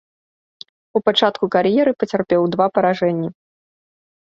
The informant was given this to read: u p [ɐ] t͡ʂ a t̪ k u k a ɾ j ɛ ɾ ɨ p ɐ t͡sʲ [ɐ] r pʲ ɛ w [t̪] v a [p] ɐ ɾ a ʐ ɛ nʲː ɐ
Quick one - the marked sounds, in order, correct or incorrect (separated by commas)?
incorrect, incorrect, incorrect, correct